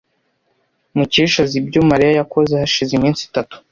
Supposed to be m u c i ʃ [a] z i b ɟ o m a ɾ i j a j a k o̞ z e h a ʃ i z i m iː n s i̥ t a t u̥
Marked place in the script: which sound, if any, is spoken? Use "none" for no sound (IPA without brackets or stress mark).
a